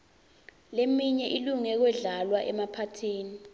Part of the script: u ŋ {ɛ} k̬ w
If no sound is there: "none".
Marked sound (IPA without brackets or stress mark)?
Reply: ɛ